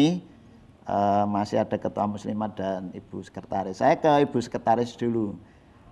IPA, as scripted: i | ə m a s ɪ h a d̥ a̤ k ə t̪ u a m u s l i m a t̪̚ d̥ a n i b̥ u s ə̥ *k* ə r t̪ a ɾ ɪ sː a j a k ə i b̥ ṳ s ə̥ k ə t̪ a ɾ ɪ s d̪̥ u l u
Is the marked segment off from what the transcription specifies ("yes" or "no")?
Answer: no